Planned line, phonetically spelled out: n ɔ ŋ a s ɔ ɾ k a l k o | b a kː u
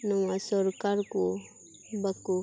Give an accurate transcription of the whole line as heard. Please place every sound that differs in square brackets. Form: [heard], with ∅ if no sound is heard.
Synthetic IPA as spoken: n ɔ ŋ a s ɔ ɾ k a [ɾ] k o | b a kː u